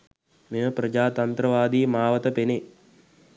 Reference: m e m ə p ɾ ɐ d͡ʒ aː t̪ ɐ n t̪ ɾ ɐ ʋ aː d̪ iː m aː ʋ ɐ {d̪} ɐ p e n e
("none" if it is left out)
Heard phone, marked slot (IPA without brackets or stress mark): t̪